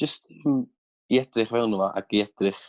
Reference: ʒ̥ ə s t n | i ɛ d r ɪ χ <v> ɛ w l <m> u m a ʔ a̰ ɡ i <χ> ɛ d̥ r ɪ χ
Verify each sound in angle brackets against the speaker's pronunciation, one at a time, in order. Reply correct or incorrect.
correct, incorrect: n, incorrect: none

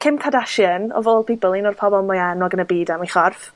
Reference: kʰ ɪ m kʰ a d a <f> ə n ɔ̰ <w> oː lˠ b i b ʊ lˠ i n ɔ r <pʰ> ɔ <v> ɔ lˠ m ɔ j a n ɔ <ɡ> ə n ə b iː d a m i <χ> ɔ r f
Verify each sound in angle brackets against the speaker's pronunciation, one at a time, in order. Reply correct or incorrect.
incorrect: ʃ, incorrect: v, correct, incorrect: b, correct, correct

